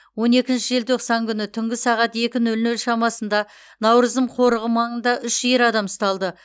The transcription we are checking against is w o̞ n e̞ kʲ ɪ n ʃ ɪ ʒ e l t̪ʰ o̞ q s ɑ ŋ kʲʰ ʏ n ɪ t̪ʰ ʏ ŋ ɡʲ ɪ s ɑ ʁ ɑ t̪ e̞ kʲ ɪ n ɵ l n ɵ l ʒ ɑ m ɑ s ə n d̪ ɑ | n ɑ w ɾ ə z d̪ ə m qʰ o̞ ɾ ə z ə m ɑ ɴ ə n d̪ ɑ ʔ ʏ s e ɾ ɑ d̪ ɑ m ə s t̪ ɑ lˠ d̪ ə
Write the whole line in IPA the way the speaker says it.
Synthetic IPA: w o̞ n e̞ kʲ ɪ n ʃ ɪ ʒ e l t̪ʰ o̞ q s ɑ ŋ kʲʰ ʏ n ɪ t̪ʰ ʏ ŋ ɡʲ ɪ s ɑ ʁ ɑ t̪ e̞ kʲ ɪ n ɵ l n ɵ l ʃ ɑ m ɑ s ə n d̪ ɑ | n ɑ w ɾ ə z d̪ ə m qʰ o̞ ɾ ə ʁ ə m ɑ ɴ ə n d̪ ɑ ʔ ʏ ʃ e ɾ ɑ d̪ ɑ m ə s t̪ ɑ lˠ d̪ ə